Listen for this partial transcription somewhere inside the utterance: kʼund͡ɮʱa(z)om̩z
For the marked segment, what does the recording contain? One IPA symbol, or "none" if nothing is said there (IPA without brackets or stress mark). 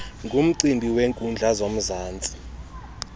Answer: z